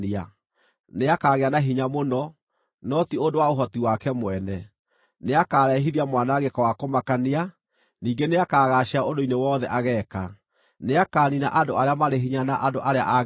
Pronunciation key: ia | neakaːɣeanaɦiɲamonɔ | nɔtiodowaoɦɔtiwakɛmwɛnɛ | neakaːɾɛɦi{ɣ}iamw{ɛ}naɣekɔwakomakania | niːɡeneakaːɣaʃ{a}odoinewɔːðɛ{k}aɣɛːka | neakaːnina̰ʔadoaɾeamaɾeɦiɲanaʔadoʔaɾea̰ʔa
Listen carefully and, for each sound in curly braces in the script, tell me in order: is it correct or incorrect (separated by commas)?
incorrect, incorrect, correct, incorrect